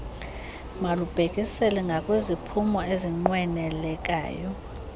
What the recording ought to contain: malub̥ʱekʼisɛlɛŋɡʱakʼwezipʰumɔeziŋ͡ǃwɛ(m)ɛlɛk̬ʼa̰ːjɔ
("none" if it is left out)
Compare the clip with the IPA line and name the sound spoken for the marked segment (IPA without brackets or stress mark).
n